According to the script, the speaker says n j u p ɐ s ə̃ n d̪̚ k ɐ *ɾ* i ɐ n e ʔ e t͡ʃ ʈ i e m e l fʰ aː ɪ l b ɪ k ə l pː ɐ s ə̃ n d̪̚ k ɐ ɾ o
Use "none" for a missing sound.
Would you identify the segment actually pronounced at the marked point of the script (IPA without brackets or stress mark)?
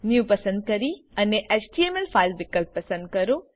ɾ